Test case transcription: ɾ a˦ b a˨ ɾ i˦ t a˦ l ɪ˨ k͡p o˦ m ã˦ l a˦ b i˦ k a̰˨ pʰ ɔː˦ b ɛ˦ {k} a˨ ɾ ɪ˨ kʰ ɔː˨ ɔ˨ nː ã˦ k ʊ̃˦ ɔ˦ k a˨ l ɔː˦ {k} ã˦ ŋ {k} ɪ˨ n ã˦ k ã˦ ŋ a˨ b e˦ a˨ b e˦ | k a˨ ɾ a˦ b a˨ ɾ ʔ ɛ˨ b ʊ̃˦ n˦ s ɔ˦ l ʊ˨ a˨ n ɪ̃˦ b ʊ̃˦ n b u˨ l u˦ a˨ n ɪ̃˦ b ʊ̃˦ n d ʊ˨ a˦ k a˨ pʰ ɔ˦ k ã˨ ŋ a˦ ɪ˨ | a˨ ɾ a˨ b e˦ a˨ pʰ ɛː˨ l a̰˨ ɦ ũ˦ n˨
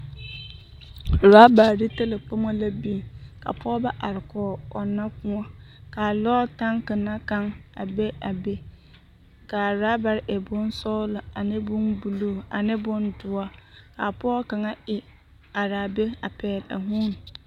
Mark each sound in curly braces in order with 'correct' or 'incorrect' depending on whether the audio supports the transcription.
incorrect, incorrect, correct

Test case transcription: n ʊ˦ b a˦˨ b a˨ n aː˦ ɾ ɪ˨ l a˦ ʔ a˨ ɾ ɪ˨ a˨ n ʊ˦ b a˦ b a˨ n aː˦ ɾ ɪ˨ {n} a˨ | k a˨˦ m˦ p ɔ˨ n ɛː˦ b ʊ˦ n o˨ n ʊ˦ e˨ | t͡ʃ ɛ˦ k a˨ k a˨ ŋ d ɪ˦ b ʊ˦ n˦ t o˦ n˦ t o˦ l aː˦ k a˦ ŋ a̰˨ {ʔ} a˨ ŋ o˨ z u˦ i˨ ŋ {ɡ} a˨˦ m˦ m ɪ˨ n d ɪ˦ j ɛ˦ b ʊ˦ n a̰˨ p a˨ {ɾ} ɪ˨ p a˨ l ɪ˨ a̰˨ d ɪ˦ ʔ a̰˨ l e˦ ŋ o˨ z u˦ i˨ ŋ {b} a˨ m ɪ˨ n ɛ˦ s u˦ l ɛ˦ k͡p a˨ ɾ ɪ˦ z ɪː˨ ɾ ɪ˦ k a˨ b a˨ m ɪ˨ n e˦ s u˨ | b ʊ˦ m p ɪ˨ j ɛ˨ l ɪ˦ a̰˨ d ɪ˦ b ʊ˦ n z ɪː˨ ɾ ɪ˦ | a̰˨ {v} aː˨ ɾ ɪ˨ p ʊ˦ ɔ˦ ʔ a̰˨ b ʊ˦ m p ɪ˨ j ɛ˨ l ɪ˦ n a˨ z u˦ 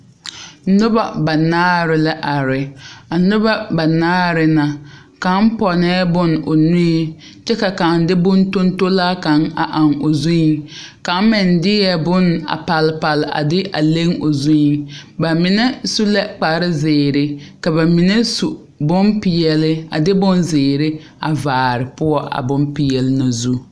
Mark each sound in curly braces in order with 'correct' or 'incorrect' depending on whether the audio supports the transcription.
correct, correct, incorrect, incorrect, correct, correct

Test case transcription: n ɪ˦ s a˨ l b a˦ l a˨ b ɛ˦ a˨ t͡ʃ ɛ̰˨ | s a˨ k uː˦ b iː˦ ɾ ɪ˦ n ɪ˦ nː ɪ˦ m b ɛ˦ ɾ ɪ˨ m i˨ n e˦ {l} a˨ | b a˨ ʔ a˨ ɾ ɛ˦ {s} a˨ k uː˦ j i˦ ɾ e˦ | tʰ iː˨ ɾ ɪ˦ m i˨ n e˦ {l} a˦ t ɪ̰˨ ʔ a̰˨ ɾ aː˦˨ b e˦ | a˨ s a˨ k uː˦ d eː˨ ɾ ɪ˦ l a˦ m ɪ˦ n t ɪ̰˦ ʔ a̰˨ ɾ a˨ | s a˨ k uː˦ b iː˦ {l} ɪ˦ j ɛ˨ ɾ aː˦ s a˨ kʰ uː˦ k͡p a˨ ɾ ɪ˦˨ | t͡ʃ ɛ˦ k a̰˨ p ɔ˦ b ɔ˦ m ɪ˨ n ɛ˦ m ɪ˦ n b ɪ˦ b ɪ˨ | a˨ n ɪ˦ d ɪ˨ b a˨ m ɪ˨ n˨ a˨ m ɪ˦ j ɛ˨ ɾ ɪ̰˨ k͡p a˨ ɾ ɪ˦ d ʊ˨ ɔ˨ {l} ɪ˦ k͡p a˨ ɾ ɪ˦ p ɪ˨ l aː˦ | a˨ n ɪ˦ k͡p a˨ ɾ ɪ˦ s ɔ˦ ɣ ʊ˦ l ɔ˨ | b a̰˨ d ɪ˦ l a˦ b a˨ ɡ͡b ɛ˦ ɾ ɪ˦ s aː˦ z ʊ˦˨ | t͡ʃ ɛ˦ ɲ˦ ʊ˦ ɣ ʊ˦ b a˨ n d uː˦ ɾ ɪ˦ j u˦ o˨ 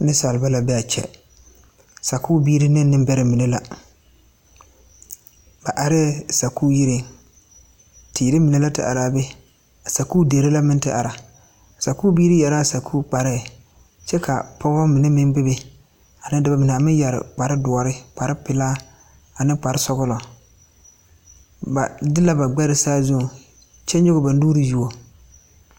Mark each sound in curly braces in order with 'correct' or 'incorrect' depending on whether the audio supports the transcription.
correct, correct, correct, incorrect, incorrect

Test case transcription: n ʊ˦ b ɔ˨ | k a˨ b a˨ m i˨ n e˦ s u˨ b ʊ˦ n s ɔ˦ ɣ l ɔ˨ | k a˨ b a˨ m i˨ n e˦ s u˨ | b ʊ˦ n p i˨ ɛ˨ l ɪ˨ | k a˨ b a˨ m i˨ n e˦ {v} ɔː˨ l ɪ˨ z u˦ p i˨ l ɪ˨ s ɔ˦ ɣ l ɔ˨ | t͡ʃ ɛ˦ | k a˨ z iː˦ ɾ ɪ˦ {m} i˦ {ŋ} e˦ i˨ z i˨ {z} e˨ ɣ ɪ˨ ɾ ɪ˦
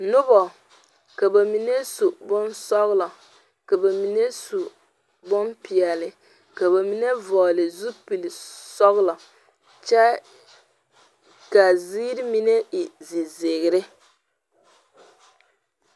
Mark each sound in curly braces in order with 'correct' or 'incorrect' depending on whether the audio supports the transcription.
correct, correct, incorrect, correct

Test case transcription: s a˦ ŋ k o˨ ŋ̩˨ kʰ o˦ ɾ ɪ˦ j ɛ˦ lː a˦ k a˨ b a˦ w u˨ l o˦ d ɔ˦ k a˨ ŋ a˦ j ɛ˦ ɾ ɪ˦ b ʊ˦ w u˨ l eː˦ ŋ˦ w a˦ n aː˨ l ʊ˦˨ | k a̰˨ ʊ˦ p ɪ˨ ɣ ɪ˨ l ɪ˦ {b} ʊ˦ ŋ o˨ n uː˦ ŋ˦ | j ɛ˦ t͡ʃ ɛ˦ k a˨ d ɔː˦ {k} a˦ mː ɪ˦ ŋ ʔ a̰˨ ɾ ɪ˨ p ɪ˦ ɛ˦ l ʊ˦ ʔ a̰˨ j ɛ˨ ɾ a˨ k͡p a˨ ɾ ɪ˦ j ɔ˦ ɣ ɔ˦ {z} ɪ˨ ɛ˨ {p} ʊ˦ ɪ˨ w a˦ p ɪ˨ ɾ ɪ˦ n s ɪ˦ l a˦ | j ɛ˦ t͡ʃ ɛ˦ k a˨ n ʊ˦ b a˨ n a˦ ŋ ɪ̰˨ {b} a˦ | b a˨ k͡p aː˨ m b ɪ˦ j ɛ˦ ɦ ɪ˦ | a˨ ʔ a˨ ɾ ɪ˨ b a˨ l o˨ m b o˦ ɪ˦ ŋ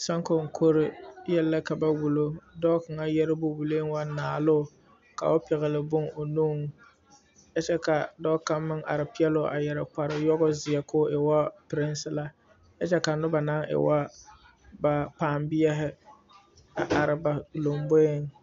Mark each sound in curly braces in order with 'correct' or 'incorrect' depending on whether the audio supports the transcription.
correct, correct, correct, incorrect, incorrect

